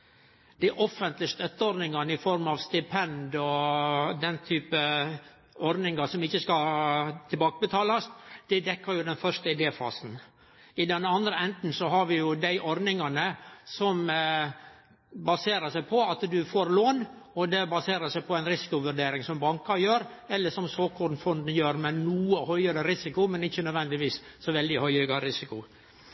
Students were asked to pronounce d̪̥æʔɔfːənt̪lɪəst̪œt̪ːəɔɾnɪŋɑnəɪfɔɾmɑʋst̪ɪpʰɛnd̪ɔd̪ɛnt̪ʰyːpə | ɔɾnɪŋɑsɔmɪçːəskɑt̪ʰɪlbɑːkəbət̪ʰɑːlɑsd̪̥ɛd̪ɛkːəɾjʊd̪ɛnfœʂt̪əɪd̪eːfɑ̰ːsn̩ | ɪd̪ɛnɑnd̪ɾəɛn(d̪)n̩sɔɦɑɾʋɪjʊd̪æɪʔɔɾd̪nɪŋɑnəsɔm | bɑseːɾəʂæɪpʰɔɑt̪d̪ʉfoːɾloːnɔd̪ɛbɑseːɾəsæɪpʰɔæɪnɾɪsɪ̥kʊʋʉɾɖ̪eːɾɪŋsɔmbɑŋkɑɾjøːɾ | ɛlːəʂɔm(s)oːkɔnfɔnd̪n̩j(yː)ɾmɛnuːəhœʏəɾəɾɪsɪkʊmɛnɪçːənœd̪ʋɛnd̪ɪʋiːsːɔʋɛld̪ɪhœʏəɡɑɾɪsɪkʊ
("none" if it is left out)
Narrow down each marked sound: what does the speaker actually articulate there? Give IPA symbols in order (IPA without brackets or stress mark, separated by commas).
t̪, s, øː